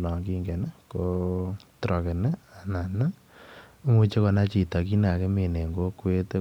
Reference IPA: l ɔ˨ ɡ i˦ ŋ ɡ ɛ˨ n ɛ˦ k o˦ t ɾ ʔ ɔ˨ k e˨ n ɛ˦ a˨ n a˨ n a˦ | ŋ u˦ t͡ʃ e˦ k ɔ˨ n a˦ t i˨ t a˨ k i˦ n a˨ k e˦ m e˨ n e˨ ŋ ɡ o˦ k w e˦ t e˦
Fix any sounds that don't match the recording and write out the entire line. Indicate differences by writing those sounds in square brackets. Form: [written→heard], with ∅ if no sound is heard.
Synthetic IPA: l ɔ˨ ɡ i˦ ŋ ɡ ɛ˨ n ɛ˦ k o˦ t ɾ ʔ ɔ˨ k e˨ n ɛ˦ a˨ n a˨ n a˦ | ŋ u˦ t͡ʃ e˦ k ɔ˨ n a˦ [t→t͡ʃ] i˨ t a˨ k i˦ n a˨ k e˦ m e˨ n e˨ ŋ ɡ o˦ k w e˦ t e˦